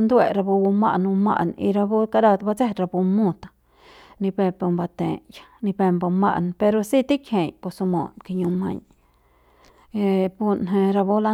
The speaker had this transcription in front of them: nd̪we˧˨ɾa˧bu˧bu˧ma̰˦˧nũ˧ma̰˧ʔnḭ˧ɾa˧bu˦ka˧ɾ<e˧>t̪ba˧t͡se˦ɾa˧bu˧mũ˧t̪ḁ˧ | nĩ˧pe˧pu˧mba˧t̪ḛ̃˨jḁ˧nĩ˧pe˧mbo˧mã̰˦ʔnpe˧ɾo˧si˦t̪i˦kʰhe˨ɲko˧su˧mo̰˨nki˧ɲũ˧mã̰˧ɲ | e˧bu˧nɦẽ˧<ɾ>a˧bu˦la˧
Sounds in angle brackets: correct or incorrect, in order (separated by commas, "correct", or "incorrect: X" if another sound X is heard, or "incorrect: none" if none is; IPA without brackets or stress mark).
incorrect: a˧, correct